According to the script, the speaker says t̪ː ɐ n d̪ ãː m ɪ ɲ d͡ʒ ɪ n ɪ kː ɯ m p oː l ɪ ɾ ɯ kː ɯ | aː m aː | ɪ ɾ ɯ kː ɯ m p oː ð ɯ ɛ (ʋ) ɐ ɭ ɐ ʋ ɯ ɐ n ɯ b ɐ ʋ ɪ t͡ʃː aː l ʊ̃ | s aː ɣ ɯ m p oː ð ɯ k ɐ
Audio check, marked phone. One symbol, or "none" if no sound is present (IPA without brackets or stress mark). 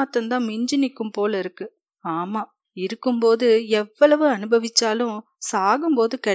ʋː